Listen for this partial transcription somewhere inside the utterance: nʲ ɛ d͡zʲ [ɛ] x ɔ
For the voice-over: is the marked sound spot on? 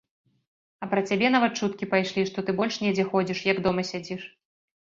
yes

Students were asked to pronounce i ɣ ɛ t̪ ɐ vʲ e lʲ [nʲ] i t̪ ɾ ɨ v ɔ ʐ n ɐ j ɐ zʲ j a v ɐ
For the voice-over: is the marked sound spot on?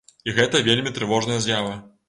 no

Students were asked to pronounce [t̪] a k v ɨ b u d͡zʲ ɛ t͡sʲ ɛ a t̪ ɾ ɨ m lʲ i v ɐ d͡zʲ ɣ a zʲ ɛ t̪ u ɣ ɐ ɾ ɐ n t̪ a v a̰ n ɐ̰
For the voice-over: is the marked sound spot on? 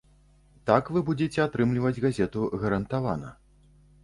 yes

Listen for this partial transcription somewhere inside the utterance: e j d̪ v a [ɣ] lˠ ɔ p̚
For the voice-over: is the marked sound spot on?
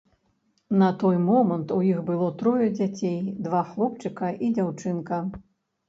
no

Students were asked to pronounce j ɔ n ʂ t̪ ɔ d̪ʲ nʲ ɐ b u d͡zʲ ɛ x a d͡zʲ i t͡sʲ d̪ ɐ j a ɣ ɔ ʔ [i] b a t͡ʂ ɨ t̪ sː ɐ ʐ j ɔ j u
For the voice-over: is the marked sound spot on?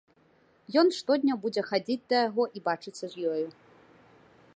yes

